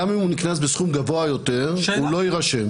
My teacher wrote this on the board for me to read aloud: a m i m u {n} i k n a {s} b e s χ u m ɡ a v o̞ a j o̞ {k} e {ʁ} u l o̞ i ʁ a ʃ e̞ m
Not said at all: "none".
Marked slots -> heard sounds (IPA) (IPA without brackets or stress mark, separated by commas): n, s, t, ʁ